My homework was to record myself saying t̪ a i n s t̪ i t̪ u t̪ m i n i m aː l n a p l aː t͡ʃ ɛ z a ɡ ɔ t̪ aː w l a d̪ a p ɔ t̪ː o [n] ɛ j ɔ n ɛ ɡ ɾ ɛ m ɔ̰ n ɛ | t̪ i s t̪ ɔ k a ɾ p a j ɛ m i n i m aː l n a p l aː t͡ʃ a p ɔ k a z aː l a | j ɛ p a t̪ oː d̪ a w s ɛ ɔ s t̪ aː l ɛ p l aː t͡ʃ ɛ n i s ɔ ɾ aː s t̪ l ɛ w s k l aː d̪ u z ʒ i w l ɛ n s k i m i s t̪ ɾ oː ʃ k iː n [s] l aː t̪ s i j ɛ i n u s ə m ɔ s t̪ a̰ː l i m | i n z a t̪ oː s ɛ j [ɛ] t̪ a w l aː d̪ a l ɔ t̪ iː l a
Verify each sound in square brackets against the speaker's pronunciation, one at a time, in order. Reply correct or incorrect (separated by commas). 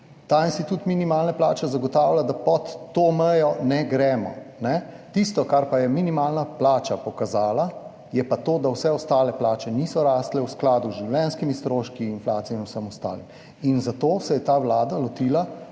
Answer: incorrect, incorrect, correct